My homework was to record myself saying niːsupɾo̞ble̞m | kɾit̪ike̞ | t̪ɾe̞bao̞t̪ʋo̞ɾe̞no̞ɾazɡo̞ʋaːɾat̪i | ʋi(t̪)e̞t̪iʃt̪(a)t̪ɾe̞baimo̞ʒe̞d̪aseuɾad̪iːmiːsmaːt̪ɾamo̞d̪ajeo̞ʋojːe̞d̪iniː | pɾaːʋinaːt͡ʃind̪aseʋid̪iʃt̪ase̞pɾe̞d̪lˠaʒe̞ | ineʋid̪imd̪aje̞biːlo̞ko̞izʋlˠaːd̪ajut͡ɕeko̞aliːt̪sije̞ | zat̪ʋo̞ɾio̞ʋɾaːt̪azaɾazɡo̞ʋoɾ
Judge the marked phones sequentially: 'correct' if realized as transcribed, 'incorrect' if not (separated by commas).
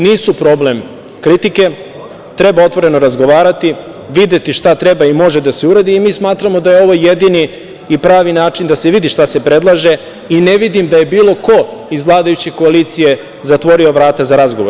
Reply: incorrect, correct